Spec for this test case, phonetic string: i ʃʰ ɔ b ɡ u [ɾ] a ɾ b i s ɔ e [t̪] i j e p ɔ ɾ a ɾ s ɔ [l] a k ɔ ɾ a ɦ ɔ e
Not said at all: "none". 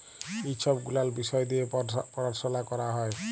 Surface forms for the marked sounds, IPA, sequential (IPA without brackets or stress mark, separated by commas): l, d̪, l